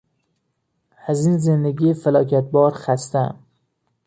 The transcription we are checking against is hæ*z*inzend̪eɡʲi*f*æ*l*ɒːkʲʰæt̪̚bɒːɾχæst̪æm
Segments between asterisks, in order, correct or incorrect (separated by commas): correct, correct, correct